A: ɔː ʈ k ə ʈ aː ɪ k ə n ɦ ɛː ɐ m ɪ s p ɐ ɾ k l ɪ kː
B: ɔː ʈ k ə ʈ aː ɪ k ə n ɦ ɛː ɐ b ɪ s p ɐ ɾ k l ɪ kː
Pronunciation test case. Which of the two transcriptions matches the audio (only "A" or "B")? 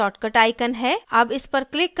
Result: B